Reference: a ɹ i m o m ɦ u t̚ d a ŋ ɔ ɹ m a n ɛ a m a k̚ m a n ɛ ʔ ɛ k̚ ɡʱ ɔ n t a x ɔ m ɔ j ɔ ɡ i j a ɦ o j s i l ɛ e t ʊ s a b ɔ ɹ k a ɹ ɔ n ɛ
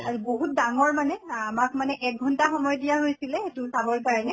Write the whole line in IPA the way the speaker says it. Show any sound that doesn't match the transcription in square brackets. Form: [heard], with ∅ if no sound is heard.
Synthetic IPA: a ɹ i [b] o [∅] ɦ u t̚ d a ŋ ɔ ɹ m a n ɛ a m a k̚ m a n ɛ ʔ ɛ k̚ ɡʱ ɔ n t a x ɔ m ɔ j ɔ [d] i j a ɦ o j s i l ɛ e t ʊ s a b ɔ ɹ k a ɹ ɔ n ɛ